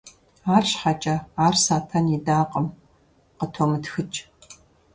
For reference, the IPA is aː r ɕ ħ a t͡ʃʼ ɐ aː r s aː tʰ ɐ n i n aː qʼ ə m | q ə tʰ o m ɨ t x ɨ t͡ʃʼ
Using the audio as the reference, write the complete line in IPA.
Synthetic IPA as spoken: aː r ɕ ħ a t͡ʃʼ ɐ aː r s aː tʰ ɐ n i d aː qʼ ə m | q ə tʰ o m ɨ t x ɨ t͡ʃʼ